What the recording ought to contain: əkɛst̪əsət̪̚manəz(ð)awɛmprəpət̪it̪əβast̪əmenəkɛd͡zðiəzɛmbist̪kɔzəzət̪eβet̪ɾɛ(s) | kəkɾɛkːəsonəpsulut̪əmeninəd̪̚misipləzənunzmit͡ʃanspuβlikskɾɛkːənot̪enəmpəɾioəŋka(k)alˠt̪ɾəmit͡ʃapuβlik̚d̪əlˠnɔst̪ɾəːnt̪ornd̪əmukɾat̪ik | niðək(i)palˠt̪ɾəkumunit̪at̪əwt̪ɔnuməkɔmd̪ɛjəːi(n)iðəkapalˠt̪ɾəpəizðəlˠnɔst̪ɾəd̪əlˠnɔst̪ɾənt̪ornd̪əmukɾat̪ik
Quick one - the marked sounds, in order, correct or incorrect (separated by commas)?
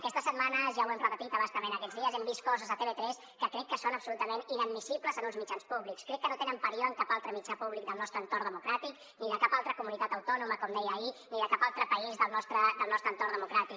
incorrect, correct, incorrect, incorrect, correct